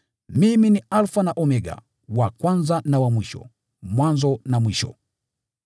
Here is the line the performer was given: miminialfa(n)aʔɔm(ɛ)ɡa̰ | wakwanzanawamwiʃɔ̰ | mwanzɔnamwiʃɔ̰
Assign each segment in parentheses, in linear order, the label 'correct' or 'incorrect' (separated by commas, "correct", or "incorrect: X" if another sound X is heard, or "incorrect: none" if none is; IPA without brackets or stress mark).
correct, correct